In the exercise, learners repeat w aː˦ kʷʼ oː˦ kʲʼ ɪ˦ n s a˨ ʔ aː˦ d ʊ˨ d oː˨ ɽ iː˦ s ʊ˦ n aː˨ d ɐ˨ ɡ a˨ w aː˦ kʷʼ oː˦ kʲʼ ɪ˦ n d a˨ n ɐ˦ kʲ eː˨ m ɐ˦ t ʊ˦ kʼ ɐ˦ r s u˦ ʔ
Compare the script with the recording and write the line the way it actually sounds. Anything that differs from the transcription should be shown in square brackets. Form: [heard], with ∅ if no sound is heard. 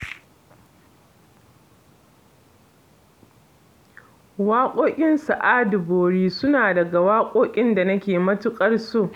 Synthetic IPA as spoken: w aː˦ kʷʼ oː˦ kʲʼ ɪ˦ n s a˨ ʔ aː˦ d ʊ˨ [b] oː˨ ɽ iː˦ s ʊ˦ n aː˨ d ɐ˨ ɡ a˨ w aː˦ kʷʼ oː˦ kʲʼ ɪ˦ n d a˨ n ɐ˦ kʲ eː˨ m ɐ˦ t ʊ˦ kʼ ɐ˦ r s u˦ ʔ